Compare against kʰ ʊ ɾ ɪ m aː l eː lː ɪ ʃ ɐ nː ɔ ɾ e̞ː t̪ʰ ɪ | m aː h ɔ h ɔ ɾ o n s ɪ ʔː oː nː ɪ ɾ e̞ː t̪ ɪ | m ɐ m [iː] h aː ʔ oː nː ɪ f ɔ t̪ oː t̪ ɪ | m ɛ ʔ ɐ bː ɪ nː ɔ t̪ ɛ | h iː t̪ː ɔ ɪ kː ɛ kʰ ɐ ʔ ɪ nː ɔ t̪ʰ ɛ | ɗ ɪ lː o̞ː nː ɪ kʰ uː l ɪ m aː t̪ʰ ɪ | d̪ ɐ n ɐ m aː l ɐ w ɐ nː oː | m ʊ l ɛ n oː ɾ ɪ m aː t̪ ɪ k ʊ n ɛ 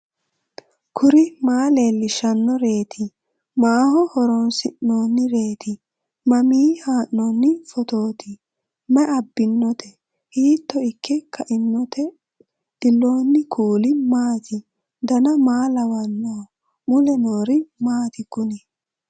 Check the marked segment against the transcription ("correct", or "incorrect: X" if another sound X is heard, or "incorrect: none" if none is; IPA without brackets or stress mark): correct